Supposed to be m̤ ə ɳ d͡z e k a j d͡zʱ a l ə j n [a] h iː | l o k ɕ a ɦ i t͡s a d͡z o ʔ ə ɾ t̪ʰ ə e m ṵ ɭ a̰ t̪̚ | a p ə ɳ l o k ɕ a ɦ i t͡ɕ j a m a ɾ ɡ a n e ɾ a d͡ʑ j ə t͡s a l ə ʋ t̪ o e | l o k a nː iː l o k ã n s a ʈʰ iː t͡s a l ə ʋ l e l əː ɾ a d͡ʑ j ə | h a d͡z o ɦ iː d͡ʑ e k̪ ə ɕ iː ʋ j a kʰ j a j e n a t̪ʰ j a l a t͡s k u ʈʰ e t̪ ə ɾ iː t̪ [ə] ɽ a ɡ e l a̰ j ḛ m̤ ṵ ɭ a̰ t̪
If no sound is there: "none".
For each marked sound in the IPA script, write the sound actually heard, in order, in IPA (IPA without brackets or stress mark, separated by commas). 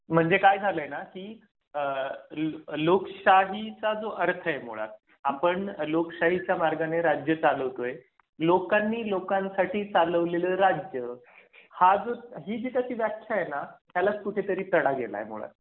a, ə